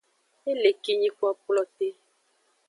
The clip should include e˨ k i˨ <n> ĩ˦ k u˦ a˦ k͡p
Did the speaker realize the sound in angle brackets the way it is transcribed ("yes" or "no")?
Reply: no